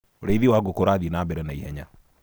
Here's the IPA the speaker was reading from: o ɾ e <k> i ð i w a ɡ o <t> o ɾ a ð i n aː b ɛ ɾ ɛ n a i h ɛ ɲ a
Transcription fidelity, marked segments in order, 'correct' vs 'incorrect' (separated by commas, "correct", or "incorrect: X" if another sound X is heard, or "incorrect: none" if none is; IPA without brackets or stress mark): incorrect: none, incorrect: k